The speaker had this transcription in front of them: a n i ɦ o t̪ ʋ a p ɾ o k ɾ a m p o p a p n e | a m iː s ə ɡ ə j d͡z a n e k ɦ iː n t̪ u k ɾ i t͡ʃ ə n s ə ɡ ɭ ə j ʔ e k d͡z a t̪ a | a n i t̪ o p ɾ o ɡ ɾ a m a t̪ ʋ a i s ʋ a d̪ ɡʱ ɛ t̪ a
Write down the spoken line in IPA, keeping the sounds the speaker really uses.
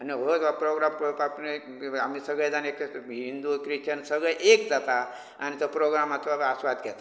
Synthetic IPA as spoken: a n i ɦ o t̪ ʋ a p ɾ o ɡ ɾ a m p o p a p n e | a m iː s ə ɡ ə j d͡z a n e k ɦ i n d̪ u k ɾ i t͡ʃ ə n s ə ɡ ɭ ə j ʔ e k d͡z a t̪ a | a n i t̪ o p ɾ o ɡ ɾ a m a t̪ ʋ a a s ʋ a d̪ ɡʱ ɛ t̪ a